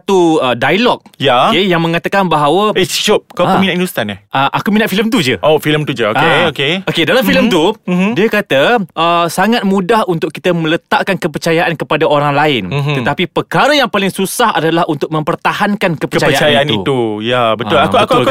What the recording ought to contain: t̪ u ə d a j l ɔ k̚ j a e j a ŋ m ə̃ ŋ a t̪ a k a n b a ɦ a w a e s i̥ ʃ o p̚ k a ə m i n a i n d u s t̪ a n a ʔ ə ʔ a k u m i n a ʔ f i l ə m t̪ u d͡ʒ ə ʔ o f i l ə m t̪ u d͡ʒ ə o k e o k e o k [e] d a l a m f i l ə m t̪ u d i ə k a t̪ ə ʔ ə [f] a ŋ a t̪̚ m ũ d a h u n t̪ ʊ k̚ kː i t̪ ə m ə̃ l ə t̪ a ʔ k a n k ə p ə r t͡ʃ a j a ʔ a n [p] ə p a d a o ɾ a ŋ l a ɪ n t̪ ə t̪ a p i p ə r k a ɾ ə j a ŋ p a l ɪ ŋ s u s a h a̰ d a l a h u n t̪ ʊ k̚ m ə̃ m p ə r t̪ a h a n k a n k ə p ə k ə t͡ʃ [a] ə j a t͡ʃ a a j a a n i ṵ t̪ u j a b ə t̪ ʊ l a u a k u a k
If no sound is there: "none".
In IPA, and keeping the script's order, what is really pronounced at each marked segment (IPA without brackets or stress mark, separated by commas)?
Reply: e, s, k, a